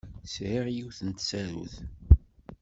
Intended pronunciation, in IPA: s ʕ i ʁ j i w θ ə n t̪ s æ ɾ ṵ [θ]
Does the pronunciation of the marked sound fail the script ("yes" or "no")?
no